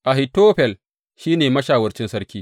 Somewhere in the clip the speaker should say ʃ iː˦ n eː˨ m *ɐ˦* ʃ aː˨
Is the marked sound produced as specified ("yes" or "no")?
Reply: yes